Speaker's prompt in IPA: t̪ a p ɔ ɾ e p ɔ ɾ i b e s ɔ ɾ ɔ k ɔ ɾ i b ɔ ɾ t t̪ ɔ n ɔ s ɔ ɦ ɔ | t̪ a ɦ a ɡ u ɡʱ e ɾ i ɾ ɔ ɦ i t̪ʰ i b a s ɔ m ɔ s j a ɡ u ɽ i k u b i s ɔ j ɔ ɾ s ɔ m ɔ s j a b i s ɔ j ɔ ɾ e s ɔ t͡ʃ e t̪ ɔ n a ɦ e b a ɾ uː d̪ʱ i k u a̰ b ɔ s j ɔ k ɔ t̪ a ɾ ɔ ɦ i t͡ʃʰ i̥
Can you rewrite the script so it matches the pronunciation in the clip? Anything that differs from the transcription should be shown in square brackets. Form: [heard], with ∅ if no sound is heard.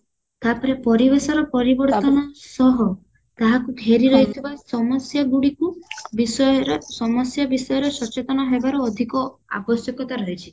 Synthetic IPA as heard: t̪ a p ɔ ɾ e p ɔ ɾ i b e s ɔ ɾ ɔ [p] ɔ ɾ i b ɔ ɾ t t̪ ɔ n ɔ s ɔ ɦ ɔ | t̪ a ɦ a [k] u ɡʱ e ɾ i ɾ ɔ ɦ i t̪ʰ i b a s ɔ m ɔ s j a ɡ u ɽ i k u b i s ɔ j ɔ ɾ s ɔ m ɔ s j a b i s ɔ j ɔ ɾ e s ɔ t͡ʃ e t̪ ɔ n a ɦ e b a ɾ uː d̪ʱ i k [ɔ] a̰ b ɔ s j ɔ k ɔ t̪ a ɾ ɔ ɦ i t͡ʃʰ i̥